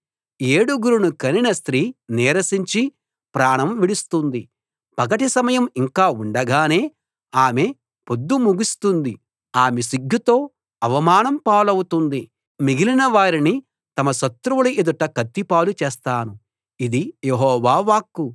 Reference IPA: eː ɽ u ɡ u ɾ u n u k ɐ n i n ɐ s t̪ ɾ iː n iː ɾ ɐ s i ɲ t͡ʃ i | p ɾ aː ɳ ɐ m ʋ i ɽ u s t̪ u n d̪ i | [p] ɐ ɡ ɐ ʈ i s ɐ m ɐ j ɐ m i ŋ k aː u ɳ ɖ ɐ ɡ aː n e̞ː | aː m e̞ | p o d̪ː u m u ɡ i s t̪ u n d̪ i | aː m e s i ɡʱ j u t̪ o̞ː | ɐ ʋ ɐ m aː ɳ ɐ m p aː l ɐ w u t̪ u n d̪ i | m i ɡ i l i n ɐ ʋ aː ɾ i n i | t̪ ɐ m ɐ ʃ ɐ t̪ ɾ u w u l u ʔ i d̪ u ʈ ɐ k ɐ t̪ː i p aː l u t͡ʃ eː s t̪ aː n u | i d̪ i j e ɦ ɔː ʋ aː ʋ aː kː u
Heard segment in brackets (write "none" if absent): p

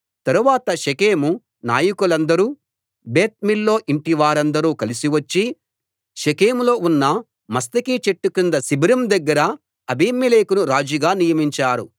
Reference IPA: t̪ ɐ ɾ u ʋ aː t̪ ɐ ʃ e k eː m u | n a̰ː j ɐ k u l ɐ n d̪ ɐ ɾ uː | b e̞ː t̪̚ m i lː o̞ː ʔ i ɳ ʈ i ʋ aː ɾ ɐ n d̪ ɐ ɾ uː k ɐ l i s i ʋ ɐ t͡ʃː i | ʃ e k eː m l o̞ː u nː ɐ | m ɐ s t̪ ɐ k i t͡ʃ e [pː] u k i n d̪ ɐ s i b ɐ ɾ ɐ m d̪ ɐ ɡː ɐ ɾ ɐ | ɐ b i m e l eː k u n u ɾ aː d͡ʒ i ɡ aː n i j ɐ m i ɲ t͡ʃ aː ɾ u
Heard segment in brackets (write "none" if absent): ʈː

